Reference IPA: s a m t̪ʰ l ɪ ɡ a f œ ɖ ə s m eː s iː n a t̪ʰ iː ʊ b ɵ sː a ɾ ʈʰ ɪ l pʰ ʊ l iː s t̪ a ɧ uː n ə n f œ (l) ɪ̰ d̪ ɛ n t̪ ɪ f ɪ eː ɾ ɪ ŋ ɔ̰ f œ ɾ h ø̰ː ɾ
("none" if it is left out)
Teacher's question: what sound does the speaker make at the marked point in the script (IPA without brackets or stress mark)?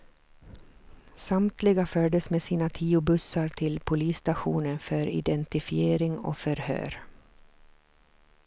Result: ɾ